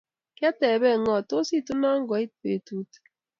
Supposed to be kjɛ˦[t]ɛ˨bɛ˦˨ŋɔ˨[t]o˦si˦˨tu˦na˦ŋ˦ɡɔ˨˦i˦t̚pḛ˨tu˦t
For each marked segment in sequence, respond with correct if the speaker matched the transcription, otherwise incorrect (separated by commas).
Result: correct, correct